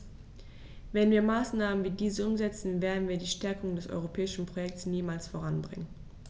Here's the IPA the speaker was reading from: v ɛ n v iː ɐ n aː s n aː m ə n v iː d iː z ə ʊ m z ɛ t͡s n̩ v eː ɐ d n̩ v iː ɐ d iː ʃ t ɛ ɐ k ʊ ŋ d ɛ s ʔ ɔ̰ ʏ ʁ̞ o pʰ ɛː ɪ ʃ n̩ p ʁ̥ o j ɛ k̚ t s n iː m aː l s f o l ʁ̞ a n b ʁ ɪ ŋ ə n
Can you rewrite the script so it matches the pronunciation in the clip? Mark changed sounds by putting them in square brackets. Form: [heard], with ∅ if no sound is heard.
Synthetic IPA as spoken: v ɛ n v iː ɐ [m] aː s n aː m ə n v iː d iː z ə ʊ m z ɛ t͡s n̩ v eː ɐ d n̩ v iː ɐ d iː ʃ t ɛ ɐ k ʊ ŋ d ɛ s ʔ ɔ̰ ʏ ʁ̞ o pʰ ɛː ɪ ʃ n̩ p ʁ̥ o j ɛ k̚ t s n iː m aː l s f o [∅] ʁ̞ a n b ʁ ɪ ŋ ə n